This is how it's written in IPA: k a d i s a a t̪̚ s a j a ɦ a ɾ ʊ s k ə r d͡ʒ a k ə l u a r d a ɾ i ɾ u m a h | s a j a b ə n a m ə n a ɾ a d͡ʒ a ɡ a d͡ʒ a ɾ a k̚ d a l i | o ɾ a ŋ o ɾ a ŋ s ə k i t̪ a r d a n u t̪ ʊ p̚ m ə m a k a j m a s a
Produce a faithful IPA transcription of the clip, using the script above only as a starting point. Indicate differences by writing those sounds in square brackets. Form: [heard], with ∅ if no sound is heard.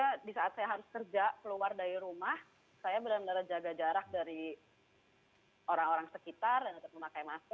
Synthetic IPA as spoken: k a d i s a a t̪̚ s a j a ɦ a ɾ ʊ s k ə r d͡ʒ a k ə l u a r d a ɾ i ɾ u m a h | s a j a b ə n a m ə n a ɾ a d͡ʒ a ɡ a d͡ʒ a ɾ a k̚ d a [ɾ] i | o ɾ a ŋ o ɾ a ŋ s ə k i t̪ a r d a n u t̪ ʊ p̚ m ə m a k a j m a s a